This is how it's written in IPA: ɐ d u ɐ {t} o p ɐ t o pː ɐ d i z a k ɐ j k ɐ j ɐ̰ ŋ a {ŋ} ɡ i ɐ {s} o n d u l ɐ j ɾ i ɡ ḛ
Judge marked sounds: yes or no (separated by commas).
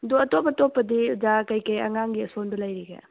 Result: yes, yes, yes